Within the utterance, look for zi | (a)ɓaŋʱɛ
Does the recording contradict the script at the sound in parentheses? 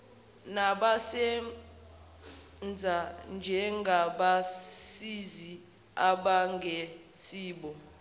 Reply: no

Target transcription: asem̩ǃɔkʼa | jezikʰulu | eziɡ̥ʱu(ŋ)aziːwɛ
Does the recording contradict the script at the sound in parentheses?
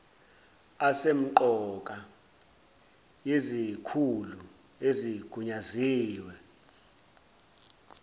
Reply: yes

